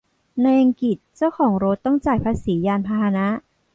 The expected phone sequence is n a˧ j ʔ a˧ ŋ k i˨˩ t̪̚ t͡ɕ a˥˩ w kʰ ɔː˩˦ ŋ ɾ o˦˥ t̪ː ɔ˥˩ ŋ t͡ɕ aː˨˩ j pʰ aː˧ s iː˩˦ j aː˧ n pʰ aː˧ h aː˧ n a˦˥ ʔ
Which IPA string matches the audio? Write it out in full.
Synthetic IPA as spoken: n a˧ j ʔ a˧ ŋ k i˨˩ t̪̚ t͡ɕ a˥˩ w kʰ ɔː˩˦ ŋ ɾ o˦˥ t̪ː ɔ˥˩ ŋ t͡ɕ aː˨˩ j pʰ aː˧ s iː˩˦ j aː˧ n pʰ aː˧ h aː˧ n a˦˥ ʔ